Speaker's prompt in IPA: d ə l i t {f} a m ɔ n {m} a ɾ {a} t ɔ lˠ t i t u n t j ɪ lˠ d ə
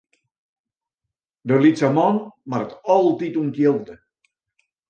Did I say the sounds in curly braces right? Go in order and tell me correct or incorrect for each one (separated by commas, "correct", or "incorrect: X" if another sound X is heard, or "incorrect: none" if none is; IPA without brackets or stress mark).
incorrect: s, correct, incorrect: ə